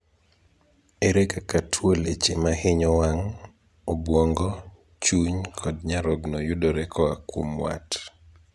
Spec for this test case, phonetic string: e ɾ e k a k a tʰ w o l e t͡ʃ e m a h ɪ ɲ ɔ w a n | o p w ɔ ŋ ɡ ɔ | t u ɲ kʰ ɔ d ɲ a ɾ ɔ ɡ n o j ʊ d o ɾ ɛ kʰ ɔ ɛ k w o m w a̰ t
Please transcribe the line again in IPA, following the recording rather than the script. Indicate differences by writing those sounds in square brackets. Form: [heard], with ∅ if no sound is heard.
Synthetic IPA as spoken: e ɾ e k a k a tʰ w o l e t͡ʃ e m a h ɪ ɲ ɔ w a [ŋ] | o [b] w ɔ ŋ ɡ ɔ | [t͡ʃ] u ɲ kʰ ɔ d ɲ a ɾ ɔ ɡ n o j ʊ d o ɾ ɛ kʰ ɔ [a] k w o m w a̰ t